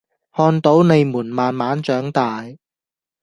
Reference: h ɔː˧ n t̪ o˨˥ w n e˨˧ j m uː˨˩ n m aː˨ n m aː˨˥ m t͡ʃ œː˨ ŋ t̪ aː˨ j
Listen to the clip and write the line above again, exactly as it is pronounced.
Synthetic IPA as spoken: h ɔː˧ n t̪ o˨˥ w n e˨˧ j m uː˨˩ n m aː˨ n m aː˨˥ n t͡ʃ œː˨˥ ŋ t̪ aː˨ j